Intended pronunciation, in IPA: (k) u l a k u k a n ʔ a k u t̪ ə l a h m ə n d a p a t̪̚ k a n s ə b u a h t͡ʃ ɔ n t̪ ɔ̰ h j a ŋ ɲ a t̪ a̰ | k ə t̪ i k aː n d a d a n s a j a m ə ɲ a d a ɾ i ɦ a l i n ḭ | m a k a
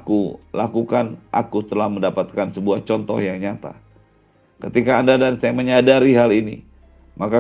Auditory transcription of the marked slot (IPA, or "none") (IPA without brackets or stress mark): k